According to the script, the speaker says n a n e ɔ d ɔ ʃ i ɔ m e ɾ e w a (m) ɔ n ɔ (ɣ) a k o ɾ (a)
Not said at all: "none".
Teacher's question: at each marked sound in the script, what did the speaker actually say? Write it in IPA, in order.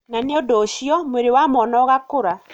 m, ɣ, a

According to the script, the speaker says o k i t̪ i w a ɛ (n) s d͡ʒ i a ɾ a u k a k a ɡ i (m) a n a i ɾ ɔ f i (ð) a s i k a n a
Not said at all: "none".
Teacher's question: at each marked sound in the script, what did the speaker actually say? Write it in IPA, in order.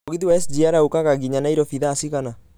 none, ɲ, ð

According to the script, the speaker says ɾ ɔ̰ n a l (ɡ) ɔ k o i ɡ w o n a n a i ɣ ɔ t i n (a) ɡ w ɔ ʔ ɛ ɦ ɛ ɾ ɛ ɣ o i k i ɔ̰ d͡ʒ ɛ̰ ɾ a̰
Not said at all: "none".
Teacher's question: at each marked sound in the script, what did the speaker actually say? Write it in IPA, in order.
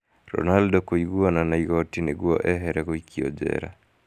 d, e

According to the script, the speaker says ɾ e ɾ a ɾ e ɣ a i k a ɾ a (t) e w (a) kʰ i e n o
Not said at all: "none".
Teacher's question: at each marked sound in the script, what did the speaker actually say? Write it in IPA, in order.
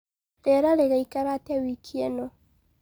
t, i

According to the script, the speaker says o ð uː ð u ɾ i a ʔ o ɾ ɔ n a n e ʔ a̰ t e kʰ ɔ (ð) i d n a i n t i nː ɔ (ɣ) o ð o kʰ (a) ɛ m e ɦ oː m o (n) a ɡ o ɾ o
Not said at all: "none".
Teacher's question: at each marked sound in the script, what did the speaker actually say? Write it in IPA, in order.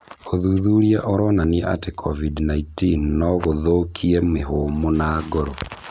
v, ɣ, i, n

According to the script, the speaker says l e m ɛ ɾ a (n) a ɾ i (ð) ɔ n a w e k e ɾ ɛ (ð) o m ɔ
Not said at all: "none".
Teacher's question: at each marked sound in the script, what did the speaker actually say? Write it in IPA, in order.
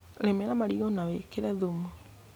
m, ɣ, ð

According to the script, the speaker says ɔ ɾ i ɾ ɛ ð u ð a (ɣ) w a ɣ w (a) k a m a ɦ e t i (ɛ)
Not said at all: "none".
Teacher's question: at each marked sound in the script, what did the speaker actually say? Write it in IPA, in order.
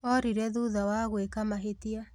none, e, a

